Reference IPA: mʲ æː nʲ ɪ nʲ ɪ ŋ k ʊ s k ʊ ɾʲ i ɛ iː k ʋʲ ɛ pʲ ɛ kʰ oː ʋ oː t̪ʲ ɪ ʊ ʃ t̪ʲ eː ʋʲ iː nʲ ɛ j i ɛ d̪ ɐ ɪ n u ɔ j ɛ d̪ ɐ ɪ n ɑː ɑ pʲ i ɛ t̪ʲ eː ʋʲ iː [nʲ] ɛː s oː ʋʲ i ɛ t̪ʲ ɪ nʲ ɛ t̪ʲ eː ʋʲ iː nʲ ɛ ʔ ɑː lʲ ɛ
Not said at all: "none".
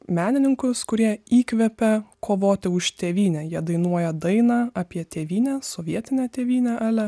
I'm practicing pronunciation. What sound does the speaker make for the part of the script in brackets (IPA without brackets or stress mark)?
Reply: nʲ